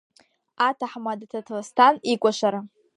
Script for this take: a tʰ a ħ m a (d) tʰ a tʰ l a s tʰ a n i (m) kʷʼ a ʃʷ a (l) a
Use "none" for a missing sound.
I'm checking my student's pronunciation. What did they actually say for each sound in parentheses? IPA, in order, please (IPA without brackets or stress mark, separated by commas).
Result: d, none, ɾ